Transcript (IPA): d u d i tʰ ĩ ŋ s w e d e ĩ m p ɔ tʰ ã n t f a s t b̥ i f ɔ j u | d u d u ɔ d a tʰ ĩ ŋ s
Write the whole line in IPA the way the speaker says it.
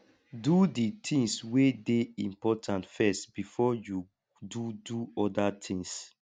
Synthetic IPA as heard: d u d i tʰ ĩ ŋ s w e d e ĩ m p ɔ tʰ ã n t f ɛ s t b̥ i f ɔ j u | d u d u ɔ d a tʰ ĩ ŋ s